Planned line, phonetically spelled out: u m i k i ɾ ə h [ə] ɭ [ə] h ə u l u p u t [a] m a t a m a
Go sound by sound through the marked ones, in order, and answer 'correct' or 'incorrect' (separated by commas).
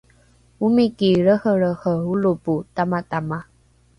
correct, correct, correct